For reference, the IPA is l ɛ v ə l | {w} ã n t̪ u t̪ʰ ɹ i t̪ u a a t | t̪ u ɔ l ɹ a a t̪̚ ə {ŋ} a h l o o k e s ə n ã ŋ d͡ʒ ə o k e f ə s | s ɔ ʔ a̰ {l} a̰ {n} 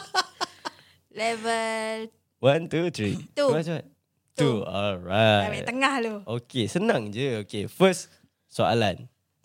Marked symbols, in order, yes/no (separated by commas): yes, yes, yes, yes